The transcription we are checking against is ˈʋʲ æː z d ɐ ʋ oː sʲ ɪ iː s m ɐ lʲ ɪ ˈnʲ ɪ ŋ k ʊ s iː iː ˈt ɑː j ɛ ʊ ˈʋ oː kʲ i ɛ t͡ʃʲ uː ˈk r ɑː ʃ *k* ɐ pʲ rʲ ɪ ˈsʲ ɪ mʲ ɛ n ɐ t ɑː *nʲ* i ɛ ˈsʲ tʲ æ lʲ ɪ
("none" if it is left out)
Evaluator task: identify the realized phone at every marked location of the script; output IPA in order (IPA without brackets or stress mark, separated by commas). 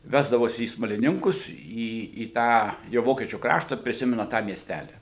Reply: t, mʲ